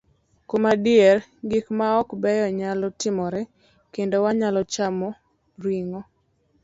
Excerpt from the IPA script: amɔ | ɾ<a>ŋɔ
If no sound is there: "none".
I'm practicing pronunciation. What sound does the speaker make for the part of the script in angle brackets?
i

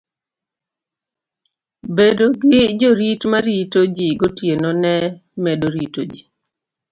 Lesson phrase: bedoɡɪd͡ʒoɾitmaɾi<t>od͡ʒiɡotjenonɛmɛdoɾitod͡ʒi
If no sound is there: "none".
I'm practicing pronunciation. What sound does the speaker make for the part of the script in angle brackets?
t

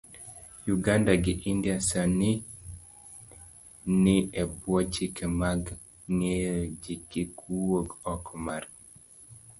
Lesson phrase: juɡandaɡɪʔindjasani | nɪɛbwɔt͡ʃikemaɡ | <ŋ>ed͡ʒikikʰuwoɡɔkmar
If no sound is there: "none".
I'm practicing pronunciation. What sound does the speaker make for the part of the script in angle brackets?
ŋ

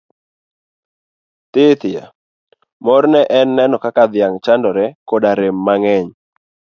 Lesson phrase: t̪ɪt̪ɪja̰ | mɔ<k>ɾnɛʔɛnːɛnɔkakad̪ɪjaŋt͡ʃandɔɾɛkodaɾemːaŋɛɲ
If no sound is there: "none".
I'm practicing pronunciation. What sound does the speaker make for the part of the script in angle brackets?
none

